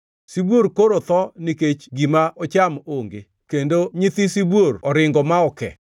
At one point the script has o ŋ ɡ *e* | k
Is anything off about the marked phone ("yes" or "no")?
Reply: no